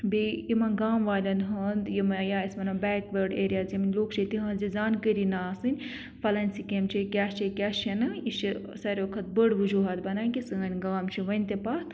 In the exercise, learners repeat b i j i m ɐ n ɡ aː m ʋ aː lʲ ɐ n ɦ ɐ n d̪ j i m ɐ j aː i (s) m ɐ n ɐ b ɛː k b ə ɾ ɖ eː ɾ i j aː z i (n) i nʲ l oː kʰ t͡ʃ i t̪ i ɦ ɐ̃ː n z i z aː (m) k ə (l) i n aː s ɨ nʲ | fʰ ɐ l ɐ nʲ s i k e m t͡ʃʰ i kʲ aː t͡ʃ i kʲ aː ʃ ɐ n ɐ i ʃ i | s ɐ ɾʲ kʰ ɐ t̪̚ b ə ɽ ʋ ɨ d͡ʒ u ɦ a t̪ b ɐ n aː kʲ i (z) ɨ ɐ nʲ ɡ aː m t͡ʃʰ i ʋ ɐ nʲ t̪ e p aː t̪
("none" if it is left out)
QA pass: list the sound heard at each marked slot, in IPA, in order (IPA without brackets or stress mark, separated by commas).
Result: s, m, n, ɾ, s